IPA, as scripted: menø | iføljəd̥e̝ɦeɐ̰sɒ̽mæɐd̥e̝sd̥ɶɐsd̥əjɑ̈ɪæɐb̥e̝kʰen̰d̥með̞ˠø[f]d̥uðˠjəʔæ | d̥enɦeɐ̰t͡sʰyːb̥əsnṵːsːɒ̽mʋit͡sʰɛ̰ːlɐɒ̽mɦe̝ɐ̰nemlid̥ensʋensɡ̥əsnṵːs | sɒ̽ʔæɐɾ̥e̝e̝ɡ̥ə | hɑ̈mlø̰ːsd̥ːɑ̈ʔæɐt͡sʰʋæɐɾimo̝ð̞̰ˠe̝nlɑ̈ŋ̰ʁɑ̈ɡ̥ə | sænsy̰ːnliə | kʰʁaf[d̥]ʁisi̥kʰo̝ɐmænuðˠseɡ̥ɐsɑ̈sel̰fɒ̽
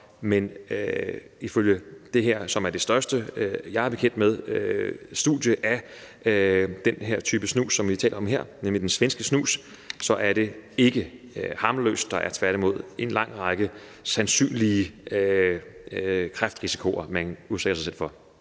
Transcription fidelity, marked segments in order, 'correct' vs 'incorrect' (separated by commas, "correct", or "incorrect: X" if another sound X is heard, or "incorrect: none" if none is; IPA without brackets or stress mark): incorrect: s, correct